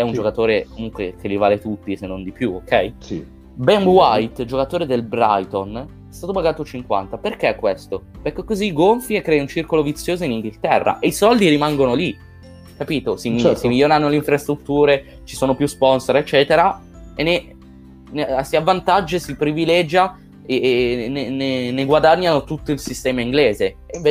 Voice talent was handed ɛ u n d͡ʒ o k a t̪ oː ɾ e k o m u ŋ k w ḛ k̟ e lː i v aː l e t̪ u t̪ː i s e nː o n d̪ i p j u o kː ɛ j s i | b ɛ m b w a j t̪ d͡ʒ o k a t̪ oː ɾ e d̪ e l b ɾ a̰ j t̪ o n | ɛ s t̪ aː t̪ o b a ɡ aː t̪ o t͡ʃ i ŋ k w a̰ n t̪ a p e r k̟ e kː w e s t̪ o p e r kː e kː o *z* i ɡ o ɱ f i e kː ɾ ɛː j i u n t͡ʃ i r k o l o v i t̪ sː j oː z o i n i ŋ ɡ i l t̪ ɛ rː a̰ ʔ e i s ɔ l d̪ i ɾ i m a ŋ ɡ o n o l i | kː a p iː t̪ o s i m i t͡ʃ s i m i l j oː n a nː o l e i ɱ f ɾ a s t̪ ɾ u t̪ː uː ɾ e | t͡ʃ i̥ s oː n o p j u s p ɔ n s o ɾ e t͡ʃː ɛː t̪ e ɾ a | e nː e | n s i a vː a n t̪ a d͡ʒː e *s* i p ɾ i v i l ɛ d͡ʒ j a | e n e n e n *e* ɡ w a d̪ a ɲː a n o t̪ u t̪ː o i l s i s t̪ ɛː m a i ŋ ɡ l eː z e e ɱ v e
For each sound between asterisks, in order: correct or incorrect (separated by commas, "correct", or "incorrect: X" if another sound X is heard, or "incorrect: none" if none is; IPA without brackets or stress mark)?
correct, correct, correct